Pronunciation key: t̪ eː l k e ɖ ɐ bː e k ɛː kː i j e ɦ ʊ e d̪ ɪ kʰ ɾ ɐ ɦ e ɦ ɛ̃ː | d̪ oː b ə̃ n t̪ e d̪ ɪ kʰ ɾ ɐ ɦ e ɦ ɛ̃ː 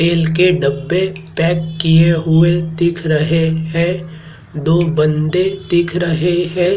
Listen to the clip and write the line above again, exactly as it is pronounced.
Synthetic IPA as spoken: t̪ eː l k e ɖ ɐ bː e p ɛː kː i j e ɦ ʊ e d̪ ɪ kʰ ɾ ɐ ɦ e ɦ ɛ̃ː | d̪ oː b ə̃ n d̪ e d̪ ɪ kʰ ɾ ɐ ɦ e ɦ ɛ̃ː